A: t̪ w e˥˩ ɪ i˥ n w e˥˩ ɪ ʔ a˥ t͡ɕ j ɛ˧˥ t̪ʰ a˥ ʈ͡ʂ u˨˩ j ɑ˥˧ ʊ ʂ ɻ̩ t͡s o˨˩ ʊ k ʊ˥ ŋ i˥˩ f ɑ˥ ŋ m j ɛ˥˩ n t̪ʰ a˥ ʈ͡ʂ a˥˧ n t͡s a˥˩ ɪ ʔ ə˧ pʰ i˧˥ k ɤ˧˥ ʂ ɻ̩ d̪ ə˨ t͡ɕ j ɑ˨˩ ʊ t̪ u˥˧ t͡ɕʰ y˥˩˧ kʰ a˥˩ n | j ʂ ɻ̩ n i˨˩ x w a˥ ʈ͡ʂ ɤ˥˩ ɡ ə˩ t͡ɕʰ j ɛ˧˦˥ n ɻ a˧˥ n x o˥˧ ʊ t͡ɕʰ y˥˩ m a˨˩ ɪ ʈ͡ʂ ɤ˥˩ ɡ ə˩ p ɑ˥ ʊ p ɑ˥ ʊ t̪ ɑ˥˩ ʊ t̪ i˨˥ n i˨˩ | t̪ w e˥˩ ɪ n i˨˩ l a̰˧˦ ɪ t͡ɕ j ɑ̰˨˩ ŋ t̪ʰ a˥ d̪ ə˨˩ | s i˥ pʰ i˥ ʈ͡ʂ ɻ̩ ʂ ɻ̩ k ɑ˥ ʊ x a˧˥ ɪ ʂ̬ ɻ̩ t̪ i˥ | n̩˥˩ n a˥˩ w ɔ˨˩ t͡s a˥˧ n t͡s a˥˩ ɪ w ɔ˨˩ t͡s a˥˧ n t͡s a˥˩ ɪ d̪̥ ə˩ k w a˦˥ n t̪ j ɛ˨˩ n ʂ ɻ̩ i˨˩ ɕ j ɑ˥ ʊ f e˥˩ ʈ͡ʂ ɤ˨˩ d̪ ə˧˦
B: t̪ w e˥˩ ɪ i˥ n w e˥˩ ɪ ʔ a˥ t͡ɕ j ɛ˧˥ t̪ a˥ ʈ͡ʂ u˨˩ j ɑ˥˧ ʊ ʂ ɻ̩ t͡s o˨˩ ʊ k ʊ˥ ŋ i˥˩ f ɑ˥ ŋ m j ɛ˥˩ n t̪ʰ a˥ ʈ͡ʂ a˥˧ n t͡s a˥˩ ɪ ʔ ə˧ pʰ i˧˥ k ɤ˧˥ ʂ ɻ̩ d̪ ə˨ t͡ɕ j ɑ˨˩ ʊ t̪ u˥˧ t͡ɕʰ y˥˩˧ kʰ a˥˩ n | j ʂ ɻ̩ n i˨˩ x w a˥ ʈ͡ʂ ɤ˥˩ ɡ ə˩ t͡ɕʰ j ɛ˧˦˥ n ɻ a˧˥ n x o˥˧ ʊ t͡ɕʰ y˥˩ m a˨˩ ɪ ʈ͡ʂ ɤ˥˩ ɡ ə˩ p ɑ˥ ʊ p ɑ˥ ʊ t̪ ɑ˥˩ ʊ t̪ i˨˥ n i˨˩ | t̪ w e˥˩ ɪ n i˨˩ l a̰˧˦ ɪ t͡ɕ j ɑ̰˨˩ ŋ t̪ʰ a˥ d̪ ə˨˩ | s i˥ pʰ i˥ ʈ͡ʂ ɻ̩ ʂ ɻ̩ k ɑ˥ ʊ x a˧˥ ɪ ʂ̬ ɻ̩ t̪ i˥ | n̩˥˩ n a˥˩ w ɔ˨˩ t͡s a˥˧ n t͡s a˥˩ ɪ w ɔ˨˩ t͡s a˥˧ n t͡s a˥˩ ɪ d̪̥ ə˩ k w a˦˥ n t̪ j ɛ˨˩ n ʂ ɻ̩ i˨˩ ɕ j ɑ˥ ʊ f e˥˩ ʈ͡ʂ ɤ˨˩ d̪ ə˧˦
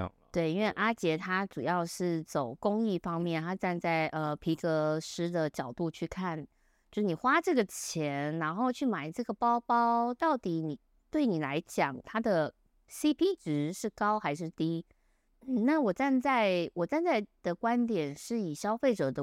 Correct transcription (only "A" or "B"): A